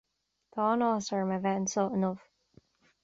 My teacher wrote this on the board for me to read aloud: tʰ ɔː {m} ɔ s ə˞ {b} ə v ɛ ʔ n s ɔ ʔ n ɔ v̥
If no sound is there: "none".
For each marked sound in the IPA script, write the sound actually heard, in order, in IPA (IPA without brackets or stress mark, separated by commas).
n, m